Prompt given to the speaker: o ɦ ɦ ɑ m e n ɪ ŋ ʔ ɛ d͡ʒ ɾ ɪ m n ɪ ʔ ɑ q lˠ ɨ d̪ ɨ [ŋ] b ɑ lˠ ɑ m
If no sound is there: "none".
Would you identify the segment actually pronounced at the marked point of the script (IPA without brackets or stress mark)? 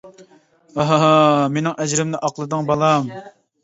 ŋ